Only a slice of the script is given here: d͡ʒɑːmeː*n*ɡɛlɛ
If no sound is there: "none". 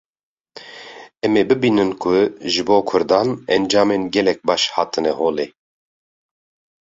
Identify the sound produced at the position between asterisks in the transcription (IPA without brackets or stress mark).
n